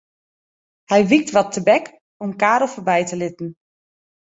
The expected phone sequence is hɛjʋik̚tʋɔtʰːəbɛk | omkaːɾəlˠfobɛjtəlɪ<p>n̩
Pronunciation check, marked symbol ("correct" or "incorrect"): incorrect